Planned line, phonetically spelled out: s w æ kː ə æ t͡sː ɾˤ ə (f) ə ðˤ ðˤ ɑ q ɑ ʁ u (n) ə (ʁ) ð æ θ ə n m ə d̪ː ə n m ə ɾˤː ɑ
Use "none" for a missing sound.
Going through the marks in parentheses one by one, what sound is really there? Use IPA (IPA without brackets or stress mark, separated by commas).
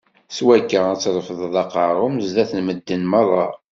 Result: f, m, z